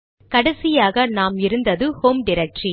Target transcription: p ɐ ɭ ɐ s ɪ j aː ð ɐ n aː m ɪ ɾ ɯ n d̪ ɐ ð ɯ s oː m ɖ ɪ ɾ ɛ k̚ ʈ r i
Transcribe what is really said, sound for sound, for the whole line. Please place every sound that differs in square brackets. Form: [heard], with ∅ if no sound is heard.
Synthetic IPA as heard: [k] ɐ [ɽ] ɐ s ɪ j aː [ɣ] ɐ n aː m ɪ ɾ ɯ n d̪ ɐ ð ɯ [h] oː m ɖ ɪ ɾ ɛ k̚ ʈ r i